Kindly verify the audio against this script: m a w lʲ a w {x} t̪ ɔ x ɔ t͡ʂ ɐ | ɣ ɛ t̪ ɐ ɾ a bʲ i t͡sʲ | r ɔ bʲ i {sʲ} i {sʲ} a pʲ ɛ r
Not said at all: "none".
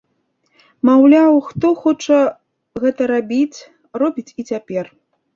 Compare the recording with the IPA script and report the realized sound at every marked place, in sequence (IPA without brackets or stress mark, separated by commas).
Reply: x, t͡sʲ, t͡sʲ